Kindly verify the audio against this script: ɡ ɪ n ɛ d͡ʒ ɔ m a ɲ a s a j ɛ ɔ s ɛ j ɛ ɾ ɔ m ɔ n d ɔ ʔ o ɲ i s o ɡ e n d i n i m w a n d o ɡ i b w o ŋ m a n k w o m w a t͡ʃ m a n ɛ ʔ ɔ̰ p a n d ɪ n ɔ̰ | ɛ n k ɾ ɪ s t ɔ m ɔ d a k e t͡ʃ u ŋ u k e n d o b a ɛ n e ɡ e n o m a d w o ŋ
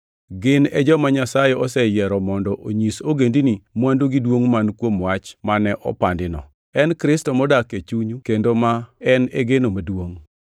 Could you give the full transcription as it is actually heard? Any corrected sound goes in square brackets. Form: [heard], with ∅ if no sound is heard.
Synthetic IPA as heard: ɡ ɪ n ɛ d͡ʒ ɔ m a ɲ a s a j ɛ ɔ s ɛ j ɛ ɾ ɔ m ɔ n d ɔ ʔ o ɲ i s o ɡ e n d i n i m w a n d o ɡ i [d] w o ŋ m a n k w o m w a t͡ʃ m a n ɛ ʔ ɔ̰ p a n d ɪ n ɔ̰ | ɛ n k ɾ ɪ s t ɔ m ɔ d a k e t͡ʃ u [ɲ] u k e n d o [m] a ɛ n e ɡ e n o m a d w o ŋ

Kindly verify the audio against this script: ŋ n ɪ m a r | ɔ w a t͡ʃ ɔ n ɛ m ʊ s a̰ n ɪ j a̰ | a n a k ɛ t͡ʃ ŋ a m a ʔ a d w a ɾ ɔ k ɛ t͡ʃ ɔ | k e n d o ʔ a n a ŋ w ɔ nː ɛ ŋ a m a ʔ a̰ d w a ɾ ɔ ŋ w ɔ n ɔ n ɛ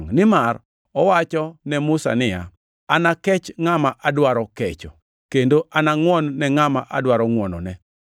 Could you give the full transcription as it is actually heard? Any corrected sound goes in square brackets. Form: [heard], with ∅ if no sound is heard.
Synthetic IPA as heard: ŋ n ɪ m a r | ɔ w a t͡ʃ ɔ n ɛ m ʊ s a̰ n ɪ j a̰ | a n a k ɛ t͡ʃ ŋ a m a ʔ a d w a ɾ ɔ k ɛ t͡ʃ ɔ | k e n d o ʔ a n a ŋ w ɔ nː ɛ ŋ a m a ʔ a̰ d w a ɾ ɔ ŋ w ɔ n ɔ n ɛ

